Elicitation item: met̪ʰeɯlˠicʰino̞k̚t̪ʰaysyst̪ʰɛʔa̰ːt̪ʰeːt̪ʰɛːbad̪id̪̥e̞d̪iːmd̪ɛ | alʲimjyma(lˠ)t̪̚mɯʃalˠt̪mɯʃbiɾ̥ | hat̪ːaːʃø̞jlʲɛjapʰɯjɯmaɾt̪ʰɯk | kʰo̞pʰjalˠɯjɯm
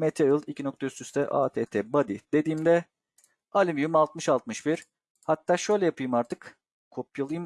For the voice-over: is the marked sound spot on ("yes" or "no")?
yes